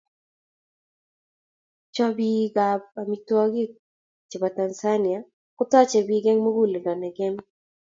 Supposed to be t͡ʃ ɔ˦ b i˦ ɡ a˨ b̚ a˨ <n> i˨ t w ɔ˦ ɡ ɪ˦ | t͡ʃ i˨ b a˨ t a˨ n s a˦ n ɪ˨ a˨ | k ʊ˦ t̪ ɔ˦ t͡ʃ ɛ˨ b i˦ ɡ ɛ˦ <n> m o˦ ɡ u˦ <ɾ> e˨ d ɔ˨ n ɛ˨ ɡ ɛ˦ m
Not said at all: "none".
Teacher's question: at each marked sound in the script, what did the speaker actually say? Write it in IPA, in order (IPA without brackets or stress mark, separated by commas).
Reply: m, ŋ, l